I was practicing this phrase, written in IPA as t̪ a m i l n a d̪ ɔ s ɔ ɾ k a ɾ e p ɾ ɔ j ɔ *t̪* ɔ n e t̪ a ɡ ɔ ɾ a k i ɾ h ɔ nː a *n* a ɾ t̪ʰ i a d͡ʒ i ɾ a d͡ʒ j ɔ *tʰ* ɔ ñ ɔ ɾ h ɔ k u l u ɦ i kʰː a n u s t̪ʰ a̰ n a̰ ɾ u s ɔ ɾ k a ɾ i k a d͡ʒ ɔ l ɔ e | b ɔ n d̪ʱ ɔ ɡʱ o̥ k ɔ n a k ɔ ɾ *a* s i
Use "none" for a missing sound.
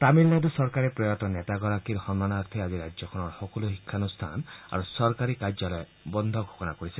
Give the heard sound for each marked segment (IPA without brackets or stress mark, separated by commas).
t̪, n, kʰ, i